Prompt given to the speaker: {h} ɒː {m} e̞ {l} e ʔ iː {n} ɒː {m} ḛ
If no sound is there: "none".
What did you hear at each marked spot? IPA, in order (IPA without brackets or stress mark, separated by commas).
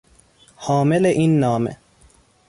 h, m, l, nː, m